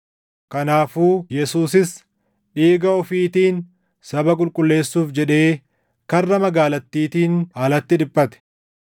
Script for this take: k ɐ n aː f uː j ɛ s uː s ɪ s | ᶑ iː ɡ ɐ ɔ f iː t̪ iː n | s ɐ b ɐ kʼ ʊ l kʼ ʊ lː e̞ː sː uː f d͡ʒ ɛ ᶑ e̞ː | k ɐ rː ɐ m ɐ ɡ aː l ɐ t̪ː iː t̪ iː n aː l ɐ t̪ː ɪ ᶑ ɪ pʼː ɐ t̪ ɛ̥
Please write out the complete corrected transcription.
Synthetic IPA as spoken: k ɐ n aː f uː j ɛ s uː s ɪ s | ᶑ iː ɡ ɐ ɔ f iː t̪ iː n | s ɐ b ɐ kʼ ʊ l kʼ ʊ lː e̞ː sː uː f d͡ʒ ɛ ᶑ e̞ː | k ɐ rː ɐ m ɐ ɡ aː l ɐ t̪ː iː t̪ iː n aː l ɐ t̪ː ɪ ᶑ ɪ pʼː ɐ t̪ ɛ̥